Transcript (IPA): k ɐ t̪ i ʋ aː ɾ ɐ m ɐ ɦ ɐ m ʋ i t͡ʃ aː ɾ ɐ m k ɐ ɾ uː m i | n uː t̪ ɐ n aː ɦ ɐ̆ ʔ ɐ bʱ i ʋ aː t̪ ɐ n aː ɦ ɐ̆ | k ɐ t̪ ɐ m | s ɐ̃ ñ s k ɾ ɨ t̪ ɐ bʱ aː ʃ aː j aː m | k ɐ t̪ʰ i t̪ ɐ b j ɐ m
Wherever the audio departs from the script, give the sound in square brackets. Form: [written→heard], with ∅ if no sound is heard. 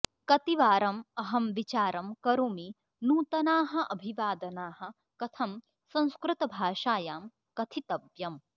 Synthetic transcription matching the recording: k ɐ t̪ i ʋ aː ɾ ɐ m ɐ ɦ ɐ m ʋ i t͡ʃ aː ɾ ɐ m k ɐ ɾ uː m i | n uː t̪ ɐ n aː ɦ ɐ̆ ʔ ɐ bʱ i ʋ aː [t̪→d̪] ɐ n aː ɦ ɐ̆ | k ɐ [t̪→t̪ʰ] ɐ m | s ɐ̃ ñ s k ɾ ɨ t̪ ɐ bʱ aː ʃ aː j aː m | k ɐ t̪ʰ i t̪ ɐ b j ɐ m